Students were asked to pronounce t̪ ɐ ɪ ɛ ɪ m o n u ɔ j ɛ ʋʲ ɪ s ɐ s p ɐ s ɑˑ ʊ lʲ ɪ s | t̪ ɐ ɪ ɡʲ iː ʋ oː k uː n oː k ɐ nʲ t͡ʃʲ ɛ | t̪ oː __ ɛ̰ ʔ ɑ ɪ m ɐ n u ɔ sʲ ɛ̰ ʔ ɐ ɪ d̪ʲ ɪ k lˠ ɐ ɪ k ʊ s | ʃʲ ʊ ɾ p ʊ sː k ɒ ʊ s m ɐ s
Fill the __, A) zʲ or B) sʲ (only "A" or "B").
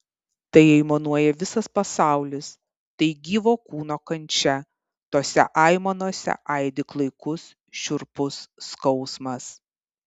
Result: B